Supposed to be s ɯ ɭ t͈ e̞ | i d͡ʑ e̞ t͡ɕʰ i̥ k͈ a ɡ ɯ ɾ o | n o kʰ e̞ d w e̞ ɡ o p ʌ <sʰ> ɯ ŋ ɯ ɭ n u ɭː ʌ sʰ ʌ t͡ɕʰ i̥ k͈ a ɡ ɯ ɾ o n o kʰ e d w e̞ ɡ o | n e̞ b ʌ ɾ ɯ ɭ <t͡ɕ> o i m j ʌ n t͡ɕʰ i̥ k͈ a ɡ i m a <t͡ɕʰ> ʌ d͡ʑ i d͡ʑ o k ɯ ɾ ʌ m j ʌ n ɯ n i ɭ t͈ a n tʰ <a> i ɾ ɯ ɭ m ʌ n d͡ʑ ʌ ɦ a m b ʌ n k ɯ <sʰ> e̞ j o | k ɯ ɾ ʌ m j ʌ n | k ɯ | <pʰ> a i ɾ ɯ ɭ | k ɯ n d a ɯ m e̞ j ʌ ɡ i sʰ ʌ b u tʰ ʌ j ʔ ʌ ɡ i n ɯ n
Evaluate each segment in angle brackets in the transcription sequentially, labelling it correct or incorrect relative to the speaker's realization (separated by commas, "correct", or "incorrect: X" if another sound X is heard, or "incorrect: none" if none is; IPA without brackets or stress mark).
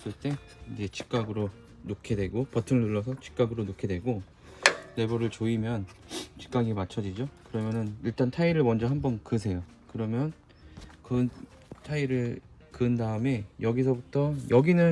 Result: incorrect: tʰ, correct, correct, correct, correct, incorrect: tʰ